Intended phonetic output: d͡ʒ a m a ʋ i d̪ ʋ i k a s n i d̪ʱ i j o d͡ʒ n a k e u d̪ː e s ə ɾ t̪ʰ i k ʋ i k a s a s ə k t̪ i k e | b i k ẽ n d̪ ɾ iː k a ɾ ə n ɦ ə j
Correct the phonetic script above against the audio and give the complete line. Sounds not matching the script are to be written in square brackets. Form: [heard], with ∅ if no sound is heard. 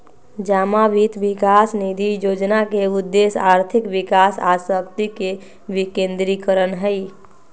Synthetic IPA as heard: d͡ʒ a m a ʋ i [t̪] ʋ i k a s n i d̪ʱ i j o d͡ʒ n a k e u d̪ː e s [a] ɾ t̪ʰ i k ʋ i k a s a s ə k t̪ i k e | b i k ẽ n d̪ ɾ [i] k [ə] ɾ ə n ɦ ə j